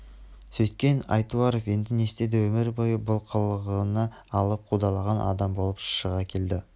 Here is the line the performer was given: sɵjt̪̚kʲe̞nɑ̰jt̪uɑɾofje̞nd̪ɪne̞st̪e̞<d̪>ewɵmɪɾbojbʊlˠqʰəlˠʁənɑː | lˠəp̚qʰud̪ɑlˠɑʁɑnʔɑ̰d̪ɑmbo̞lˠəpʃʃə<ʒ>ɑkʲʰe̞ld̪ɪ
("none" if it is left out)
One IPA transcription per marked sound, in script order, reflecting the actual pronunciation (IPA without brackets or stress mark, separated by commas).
d̪, ʁ